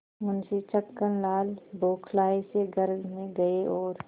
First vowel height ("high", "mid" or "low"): high